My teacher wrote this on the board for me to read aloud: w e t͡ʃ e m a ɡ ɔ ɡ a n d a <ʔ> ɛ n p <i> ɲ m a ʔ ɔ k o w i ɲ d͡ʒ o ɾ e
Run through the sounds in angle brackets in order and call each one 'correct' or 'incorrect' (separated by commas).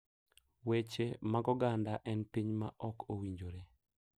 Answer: correct, correct